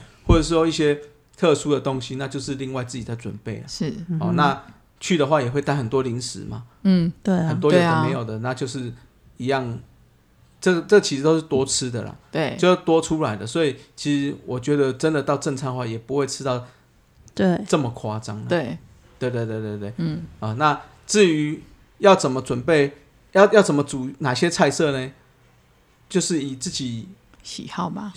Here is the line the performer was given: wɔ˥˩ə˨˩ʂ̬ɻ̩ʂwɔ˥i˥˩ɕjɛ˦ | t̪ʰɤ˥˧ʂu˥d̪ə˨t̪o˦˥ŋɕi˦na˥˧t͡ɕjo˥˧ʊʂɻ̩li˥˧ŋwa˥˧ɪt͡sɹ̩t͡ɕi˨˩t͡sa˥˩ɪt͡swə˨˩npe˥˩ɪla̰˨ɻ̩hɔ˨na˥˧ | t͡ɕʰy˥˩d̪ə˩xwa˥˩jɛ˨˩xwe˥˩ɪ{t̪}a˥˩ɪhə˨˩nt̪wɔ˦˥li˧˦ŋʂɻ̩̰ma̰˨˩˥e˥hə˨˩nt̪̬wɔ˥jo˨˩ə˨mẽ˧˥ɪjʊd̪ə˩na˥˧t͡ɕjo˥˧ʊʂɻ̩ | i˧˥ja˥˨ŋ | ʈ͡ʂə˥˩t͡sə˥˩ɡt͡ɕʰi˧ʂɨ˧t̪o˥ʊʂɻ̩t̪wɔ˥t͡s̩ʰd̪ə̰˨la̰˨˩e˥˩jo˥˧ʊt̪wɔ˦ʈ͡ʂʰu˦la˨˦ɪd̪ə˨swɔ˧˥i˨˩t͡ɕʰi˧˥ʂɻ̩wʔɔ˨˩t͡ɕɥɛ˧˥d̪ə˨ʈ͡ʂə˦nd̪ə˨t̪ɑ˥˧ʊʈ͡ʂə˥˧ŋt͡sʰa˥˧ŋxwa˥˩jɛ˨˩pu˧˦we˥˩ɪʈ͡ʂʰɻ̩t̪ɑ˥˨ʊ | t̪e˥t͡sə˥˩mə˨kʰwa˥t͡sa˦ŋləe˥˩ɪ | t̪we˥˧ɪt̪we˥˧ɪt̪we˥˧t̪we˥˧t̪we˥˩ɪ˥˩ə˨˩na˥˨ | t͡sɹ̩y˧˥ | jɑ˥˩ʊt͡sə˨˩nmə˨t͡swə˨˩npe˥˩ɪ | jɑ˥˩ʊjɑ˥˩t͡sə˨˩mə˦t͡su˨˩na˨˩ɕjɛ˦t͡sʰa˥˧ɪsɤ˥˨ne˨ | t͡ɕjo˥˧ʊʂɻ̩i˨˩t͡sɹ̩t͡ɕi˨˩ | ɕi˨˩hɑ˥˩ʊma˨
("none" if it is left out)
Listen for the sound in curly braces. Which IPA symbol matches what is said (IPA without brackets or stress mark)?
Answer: t̪